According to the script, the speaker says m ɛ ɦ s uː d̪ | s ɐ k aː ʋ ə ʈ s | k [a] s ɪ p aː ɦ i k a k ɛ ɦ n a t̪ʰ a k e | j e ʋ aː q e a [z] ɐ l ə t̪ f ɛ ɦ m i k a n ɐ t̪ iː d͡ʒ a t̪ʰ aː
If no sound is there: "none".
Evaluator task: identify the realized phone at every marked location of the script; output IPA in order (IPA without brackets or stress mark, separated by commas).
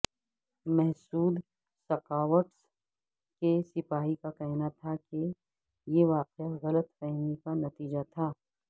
e, ɣ